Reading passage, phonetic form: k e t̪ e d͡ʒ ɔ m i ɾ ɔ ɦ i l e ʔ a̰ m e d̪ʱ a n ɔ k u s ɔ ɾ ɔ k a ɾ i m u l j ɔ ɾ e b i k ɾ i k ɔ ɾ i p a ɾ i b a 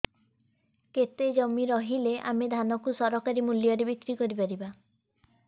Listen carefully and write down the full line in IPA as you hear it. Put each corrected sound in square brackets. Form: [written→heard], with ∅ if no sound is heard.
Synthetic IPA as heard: k e t̪ e d͡ʒ ɔ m i ɾ ɔ ɦ i l e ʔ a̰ m e d̪ʱ a n ɔ k u s ɔ ɾ ɔ k a ɾ i m u l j ɔ ɾ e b i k ɾ i k ɔ ɾ i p a ɾ i b a

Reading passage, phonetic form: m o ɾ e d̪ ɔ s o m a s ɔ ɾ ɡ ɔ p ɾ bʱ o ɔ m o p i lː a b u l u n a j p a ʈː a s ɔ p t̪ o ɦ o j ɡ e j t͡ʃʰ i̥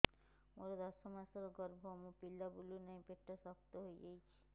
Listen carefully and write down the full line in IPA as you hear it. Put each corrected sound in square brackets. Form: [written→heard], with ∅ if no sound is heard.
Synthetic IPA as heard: m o ɾ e d̪ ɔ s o m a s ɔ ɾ ɡ ɔ [p→∅] ɾ bʱ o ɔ m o p i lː a b u l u n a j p [a→e] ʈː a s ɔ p t̪ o ɦ o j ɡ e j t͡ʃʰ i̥

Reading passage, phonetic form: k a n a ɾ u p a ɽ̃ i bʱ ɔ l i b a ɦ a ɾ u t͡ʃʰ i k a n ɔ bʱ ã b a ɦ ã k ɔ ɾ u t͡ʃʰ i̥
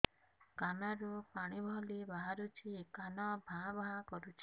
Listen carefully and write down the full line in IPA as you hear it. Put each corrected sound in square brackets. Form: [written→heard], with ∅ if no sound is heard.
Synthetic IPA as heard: k a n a ɾ u p a ɽ̃ i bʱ ɔ l i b a ɦ a ɾ u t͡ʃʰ i k a n ɔ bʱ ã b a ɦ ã k ɔ ɾ u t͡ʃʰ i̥

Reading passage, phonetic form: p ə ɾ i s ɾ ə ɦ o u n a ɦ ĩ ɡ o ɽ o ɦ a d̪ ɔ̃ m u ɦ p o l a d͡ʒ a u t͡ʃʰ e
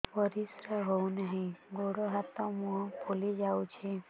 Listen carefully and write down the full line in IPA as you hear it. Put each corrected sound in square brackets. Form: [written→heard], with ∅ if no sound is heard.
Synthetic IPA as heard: p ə ɾ i s ɾ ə ɦ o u n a ɦ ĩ ɡ o ɽ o ɦ a [d̪→t̪] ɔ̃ m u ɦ p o l [a→i] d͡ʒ a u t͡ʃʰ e

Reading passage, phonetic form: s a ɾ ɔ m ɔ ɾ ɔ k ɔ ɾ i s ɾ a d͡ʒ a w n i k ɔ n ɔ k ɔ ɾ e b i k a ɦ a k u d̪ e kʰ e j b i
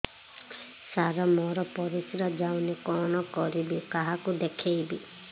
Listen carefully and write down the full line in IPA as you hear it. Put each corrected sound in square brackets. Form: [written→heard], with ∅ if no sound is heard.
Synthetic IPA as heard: s a ɾ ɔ m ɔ ɾ ɔ [k→p] ɔ ɾ i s ɾ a d͡ʒ a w n i k ɔ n ɔ k ɔ ɾ [e→i] b i k a ɦ a k u d̪ e kʰ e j b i

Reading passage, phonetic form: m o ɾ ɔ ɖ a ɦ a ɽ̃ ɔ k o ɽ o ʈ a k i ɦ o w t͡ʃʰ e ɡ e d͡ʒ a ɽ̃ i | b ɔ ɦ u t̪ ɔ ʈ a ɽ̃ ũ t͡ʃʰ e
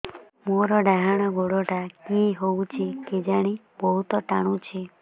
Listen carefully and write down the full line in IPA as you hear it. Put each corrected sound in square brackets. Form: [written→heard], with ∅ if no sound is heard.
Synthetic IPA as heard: m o ɾ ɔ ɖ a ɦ a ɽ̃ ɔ [k→ɡ] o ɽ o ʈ a k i ɦ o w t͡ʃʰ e [ɡ→k] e d͡ʒ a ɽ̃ i | b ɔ ɦ u t̪ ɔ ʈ a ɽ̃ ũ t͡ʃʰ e

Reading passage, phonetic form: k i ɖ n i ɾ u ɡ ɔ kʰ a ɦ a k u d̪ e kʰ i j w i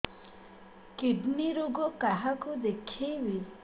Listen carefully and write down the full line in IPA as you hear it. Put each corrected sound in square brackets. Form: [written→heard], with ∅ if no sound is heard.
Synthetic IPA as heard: k i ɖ n i ɾ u ɡ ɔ [kʰ→k] a ɦ a k u d̪ e kʰ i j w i

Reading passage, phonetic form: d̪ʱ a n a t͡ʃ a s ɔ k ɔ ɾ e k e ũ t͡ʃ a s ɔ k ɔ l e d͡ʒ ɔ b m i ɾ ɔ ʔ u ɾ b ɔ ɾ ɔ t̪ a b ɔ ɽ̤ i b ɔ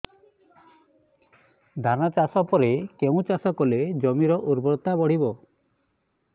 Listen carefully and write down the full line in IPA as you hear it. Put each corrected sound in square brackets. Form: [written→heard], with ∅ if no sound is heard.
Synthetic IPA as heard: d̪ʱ a n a t͡ʃ a s ɔ [k→p] ɔ ɾ e k e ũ t͡ʃ a s ɔ k ɔ l e d͡ʒ ɔ [b→∅] m i ɾ ɔ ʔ u ɾ b ɔ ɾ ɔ t̪ a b ɔ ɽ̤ i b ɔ

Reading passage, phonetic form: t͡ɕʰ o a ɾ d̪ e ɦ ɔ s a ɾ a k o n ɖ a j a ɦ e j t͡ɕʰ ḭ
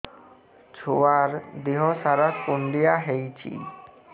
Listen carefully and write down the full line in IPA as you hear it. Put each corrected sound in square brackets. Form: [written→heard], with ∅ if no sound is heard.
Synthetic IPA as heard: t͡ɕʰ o a ɾ d̪ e ɦ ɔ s a ɾ a k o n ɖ [a→i] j a ɦ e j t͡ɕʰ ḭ

